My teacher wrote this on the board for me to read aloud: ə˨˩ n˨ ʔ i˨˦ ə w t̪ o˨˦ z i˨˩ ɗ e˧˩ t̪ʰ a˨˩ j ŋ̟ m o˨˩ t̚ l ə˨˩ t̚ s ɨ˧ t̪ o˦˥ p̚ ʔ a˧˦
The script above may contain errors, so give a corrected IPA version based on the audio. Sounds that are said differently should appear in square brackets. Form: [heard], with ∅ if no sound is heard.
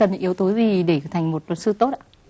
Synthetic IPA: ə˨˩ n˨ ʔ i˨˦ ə w t̪ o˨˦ z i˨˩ ɗ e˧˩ t̪ʰ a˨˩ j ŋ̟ m o˨˩ t̚ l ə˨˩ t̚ s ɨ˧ t̪ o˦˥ [t̚] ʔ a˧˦